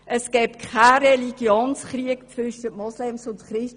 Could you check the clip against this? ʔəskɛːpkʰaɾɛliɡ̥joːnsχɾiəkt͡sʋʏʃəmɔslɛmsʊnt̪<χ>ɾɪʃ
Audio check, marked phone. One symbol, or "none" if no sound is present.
χ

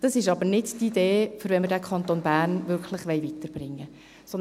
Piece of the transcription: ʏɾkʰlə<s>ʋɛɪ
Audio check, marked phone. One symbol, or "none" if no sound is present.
χ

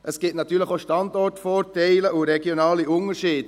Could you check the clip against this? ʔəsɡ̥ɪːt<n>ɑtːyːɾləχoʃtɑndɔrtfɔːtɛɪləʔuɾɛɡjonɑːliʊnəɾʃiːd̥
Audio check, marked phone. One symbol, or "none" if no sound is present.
n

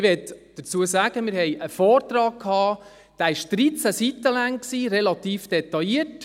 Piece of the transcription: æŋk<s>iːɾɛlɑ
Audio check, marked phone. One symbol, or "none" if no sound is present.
s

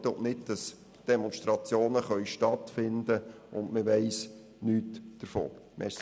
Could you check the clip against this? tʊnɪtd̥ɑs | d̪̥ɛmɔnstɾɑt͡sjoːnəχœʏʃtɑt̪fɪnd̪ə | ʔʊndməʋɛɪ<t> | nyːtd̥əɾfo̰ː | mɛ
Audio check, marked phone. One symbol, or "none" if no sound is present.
s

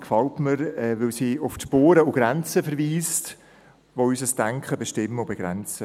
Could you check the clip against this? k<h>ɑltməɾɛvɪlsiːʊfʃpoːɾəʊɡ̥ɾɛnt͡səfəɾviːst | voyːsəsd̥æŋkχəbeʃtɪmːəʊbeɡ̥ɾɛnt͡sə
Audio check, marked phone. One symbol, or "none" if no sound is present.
f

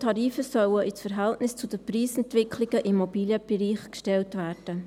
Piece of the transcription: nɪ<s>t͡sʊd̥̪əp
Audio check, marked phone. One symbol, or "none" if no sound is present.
s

